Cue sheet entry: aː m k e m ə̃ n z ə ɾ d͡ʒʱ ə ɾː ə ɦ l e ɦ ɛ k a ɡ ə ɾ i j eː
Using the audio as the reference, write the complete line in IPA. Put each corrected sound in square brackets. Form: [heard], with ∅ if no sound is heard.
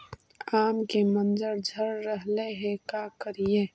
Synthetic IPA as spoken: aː m k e m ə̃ n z ə ɾ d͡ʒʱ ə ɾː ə ɦ l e ɦ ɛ k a [k] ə ɾ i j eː